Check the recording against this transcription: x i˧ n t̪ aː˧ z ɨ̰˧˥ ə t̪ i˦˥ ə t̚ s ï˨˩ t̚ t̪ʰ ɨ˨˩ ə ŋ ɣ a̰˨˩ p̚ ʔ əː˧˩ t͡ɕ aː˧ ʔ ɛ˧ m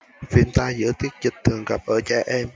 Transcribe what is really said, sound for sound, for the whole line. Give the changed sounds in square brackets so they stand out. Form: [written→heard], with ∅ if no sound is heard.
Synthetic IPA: [x→f] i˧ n t̪ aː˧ z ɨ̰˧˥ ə t̪ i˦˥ ə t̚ [s→z] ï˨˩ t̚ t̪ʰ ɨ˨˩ ə ŋ ɣ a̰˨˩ p̚ ʔ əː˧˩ t͡ɕ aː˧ ʔ ɛ˧ m